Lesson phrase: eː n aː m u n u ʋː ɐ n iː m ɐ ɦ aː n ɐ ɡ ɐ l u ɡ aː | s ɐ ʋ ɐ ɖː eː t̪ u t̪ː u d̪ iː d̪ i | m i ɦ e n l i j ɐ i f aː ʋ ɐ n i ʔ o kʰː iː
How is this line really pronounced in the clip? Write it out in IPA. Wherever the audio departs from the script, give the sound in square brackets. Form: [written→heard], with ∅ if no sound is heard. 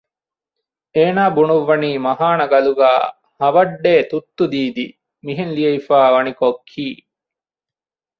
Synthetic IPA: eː n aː [m→b] u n u ʋː ɐ n iː m ɐ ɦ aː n ɐ ɡ ɐ l u ɡ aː | [s→h] ɐ ʋ ɐ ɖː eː t̪ u t̪ː u d̪ iː d̪ i | m i ɦ e n l i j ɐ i f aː ʋ ɐ n i [ʔ→k] o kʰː iː